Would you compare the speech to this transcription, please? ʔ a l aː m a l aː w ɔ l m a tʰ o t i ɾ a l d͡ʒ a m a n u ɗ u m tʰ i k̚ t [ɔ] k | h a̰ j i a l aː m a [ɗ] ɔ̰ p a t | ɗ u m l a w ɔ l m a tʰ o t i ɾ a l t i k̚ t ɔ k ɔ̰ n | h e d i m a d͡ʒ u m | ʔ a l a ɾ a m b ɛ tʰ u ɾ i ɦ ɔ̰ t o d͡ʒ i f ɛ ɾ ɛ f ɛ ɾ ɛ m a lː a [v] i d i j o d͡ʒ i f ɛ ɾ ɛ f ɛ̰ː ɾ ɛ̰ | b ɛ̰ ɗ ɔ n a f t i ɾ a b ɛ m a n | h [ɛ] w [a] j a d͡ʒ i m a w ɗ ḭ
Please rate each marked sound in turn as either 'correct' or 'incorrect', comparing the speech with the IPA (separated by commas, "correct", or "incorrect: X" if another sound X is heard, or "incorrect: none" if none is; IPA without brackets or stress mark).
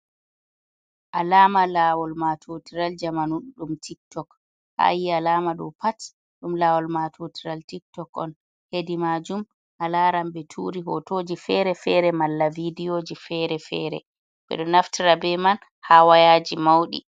correct, correct, correct, incorrect: a, correct